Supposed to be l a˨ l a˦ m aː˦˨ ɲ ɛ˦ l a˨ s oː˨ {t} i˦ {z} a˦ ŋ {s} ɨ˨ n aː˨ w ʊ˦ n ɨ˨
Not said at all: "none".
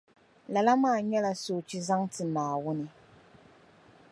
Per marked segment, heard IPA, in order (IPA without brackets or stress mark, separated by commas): t͡ʃ, z, t